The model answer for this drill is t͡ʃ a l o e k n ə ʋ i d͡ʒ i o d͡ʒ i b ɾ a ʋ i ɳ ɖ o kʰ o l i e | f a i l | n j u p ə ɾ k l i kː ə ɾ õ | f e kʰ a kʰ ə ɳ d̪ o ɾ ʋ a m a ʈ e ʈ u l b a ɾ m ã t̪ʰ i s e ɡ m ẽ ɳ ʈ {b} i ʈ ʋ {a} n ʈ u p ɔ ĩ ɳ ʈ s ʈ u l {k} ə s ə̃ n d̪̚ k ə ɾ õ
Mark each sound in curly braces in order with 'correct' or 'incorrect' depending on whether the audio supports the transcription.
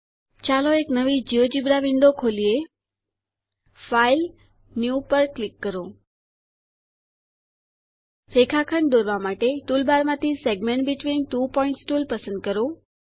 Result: correct, incorrect, incorrect

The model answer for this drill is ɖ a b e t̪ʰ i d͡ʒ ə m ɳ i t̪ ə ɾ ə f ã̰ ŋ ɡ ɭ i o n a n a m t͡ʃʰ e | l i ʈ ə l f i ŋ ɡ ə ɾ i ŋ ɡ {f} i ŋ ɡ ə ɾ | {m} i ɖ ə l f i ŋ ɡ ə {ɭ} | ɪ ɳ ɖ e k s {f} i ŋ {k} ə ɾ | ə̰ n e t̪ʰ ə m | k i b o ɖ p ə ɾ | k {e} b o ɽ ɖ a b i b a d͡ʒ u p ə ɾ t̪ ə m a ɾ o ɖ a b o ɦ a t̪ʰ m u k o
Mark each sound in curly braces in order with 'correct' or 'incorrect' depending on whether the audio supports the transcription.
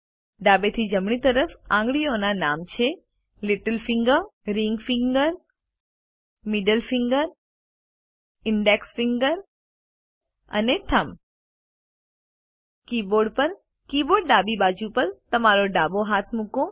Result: correct, correct, incorrect, correct, incorrect, incorrect

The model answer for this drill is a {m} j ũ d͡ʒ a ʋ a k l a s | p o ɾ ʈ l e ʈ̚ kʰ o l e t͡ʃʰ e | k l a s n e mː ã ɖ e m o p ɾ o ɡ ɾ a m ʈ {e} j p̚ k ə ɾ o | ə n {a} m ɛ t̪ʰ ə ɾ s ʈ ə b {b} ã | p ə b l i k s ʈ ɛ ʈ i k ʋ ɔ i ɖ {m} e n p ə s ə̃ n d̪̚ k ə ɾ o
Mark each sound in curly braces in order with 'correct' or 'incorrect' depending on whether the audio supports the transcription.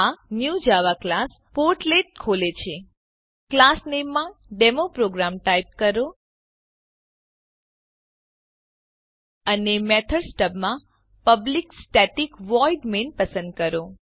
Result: incorrect, incorrect, incorrect, incorrect, correct

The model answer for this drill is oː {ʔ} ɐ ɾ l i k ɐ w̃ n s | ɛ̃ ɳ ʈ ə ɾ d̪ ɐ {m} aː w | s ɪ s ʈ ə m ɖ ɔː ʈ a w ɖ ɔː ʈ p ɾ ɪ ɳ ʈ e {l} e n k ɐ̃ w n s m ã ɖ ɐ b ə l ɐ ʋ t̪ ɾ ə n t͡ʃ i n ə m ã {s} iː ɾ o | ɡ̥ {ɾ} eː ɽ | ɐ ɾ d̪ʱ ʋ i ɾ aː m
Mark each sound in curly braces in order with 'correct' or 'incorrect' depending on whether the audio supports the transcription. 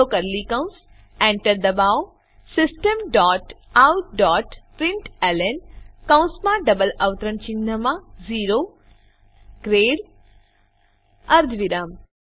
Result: incorrect, incorrect, correct, incorrect, correct

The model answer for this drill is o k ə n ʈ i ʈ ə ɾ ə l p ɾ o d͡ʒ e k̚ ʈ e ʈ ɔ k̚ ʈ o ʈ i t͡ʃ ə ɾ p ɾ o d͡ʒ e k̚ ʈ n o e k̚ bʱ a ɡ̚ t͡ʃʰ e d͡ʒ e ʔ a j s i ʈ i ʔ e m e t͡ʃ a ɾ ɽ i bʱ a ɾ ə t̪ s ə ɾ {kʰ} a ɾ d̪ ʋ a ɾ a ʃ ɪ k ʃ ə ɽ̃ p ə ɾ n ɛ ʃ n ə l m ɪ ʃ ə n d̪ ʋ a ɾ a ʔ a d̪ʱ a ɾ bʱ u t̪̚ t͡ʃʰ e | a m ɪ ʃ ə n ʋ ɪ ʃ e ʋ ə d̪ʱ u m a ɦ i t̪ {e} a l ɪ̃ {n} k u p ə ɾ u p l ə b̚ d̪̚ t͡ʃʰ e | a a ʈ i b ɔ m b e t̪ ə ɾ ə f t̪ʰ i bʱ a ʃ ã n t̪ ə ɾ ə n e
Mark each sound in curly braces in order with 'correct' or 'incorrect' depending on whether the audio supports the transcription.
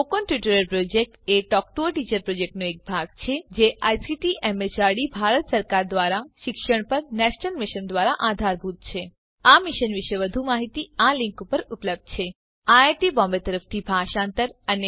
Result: incorrect, incorrect, incorrect

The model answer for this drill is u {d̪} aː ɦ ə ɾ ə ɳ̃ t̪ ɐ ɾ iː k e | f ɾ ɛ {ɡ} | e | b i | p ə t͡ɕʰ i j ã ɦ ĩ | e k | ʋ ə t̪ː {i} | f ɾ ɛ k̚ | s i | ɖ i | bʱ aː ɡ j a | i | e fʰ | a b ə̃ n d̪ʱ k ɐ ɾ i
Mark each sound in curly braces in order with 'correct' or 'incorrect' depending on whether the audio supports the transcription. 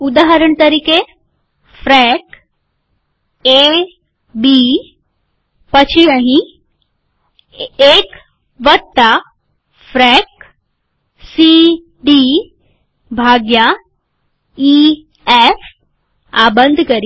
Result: correct, incorrect, incorrect

